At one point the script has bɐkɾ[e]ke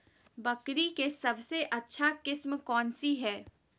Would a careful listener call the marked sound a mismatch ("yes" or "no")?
yes